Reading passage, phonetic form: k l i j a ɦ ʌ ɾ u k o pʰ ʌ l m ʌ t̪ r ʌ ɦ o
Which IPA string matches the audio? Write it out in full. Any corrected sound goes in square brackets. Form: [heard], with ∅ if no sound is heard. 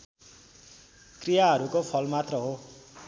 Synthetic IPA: k [r] i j a ɦ ʌ ɾ u k o pʰ ʌ l m [a] t̪ r ʌ ɦ o